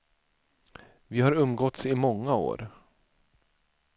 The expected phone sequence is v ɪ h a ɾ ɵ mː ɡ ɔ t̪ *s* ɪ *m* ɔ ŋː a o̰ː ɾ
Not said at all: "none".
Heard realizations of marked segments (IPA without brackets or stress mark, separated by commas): s, m